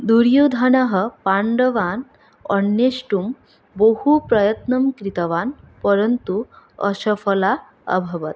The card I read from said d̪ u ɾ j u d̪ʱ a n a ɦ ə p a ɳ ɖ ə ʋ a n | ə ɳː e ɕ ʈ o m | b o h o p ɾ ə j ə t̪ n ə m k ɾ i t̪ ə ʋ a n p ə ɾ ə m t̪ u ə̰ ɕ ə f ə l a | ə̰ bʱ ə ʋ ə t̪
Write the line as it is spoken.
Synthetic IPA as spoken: d̪ u ɾ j u d̪ʱ a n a ɦ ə p a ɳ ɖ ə ʋ a n | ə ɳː e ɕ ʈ u m | b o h u p ɾ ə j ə t̪ n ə m k ɾ i t̪ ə ʋ a n p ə ɾ ə n t̪ u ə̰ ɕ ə f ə l a | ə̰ bʱ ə ʋ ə t̪